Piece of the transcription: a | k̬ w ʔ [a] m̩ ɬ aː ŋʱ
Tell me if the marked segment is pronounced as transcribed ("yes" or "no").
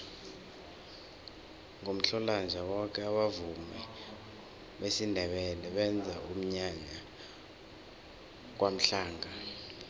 yes